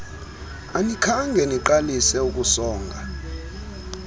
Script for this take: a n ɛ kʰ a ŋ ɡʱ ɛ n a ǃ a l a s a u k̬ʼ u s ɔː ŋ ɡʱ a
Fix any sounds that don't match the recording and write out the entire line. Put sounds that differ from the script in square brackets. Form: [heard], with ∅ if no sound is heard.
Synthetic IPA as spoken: a n [i] kʰ a ŋ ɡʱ ɛ n [i] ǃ a l [i] s [ɛ] u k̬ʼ u s ɔː ŋ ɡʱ a